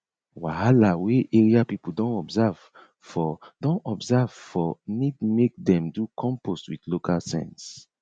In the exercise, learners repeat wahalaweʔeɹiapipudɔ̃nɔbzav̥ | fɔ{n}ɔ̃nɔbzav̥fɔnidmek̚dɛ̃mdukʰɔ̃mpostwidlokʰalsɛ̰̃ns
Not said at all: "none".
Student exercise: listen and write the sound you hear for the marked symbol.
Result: d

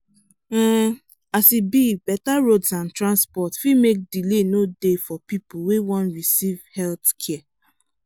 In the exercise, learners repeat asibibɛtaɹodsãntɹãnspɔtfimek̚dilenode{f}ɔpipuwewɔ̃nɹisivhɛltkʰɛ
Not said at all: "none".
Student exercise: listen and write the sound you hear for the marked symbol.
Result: f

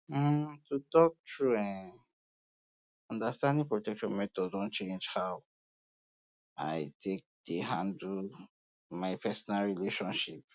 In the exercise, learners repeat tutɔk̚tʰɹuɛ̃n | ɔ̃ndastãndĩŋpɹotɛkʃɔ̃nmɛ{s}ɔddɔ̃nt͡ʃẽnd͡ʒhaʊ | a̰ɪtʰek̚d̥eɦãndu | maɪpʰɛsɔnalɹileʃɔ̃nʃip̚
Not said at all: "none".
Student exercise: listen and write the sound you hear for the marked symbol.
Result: t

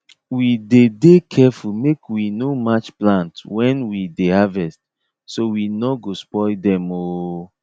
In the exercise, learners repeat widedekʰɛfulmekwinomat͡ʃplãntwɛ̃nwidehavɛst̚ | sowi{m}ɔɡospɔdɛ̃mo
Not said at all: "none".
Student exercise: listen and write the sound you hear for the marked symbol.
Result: n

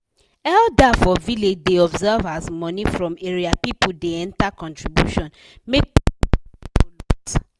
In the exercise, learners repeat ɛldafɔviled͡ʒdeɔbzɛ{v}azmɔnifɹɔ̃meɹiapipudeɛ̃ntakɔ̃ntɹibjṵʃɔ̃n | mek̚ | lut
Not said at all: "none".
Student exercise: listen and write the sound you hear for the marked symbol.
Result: v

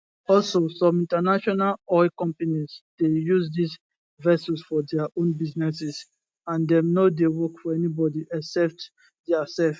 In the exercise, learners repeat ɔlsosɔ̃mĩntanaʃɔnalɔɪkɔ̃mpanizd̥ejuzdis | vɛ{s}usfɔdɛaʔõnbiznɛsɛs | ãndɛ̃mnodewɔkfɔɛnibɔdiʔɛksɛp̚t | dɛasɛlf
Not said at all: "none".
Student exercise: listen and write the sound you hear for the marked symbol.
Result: s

